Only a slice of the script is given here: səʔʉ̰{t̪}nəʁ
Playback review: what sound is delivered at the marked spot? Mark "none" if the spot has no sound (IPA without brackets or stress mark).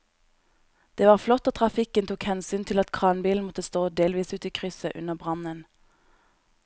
none